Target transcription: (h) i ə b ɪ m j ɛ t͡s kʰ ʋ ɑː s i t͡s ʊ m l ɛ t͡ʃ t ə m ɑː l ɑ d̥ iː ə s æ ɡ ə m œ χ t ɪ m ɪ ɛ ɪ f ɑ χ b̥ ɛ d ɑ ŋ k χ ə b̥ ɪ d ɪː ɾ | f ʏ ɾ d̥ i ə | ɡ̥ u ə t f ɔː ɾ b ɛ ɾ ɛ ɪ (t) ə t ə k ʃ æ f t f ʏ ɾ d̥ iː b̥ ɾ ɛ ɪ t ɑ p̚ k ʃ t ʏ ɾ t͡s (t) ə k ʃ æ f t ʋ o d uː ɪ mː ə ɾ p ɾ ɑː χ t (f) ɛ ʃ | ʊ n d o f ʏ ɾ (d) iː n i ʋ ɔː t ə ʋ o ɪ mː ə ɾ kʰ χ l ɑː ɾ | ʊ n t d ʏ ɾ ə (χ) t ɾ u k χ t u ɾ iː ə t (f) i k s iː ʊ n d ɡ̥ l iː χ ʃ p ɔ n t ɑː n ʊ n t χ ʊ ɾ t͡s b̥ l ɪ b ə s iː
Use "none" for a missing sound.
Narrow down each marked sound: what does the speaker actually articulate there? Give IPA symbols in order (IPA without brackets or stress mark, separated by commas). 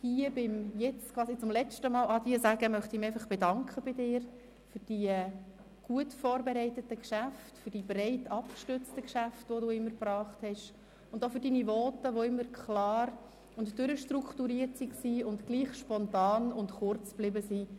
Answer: h, t, t, h, d, ʃ, s